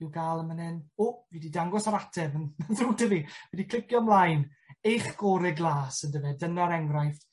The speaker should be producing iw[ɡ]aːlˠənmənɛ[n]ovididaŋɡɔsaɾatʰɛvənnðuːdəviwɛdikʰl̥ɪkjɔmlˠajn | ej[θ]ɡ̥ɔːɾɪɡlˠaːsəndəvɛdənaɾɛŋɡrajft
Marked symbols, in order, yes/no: yes, yes, no

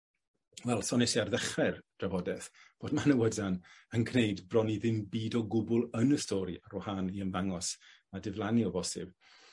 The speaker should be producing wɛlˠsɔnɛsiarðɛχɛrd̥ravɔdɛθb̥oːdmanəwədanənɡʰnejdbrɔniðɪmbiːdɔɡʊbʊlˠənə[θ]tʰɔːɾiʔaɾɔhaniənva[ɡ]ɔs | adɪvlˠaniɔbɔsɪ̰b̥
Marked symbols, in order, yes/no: no, no

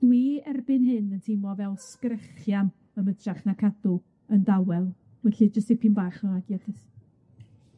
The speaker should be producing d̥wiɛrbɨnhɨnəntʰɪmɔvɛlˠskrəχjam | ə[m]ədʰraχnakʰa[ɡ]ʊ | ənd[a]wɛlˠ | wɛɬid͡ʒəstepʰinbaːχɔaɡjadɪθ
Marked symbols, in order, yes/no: yes, no, yes

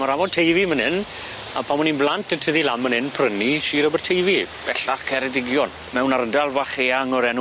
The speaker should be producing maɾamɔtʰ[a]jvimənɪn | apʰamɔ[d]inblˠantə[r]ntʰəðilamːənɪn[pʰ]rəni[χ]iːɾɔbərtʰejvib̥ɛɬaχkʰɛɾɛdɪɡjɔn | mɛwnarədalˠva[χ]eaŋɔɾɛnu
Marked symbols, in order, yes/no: no, no, no, yes, no, yes

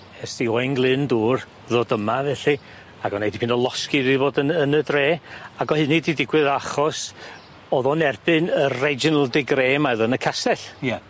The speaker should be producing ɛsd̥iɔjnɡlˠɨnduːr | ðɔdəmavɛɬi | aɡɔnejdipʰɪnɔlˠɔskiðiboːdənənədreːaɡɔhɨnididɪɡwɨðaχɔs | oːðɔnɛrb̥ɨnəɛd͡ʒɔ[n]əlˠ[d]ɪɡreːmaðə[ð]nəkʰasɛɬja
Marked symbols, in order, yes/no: yes, yes, no

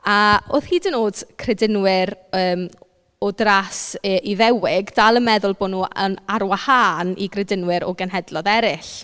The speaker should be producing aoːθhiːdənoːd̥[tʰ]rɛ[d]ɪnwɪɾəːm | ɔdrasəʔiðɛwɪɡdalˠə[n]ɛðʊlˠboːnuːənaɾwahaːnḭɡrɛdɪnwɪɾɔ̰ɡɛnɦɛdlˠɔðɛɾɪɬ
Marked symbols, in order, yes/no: no, yes, no

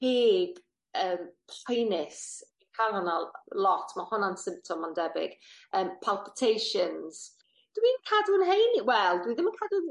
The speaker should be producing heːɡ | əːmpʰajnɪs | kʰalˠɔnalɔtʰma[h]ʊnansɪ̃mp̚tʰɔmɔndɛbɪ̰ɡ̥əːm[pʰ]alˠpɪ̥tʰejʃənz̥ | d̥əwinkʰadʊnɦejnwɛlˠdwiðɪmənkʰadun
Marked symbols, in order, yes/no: yes, yes

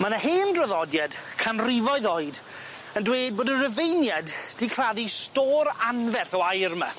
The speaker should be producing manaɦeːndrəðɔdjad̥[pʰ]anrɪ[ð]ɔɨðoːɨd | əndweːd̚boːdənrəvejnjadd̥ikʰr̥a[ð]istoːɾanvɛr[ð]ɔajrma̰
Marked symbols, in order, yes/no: no, no, yes, no

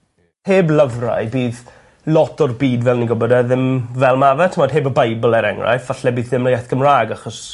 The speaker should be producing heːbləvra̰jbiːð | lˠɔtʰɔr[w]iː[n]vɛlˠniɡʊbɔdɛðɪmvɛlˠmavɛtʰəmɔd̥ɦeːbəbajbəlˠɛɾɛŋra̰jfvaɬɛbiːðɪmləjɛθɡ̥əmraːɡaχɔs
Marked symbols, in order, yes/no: no, no

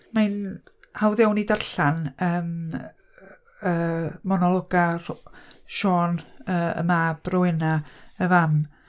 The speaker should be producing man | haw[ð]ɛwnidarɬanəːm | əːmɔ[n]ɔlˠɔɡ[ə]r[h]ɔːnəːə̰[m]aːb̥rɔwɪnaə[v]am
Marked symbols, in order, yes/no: yes, yes, no, no, yes, yes

